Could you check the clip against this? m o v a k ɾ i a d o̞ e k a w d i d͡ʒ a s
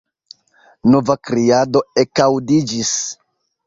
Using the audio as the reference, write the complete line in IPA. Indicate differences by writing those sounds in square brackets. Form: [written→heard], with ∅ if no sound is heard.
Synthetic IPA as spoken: [m→n] o v a k ɾ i a d o̞ e k a w d i d͡ʒ [a→i] s